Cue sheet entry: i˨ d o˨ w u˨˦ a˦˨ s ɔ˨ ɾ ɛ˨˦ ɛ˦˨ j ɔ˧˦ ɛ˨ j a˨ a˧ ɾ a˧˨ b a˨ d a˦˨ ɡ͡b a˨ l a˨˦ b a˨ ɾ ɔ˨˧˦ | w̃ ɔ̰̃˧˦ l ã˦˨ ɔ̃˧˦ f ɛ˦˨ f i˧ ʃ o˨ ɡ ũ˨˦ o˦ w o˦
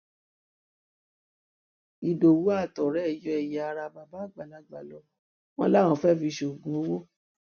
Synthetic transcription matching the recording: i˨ d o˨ w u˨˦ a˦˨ t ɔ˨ ɾ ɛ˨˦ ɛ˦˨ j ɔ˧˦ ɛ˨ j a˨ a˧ ɾ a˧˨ b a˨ b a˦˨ ɡ͡b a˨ l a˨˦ ɡ͡b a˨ l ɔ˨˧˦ | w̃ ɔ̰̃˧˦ l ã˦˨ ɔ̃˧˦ f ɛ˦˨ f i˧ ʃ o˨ ɡ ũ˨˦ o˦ w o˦